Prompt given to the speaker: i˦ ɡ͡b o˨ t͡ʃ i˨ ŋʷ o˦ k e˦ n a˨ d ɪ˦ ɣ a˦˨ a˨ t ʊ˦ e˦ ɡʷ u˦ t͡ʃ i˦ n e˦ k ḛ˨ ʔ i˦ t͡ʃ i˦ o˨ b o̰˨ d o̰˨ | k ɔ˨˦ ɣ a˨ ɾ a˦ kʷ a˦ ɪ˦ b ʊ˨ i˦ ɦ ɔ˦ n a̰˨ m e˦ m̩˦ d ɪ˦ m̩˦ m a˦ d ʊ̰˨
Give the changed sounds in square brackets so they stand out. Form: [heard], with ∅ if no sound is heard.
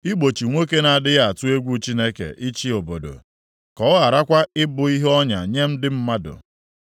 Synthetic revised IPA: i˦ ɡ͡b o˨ t͡ʃ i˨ ŋʷ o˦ k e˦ n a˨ d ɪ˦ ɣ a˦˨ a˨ t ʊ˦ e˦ ɡʷ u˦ t͡ʃ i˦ n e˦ k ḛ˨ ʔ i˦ t͡ʃ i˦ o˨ b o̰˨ d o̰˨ | k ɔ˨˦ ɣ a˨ ɾ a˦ kʷ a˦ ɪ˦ b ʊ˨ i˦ ɦ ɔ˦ [ɲ] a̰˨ [ɲ] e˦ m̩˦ d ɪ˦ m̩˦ m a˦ d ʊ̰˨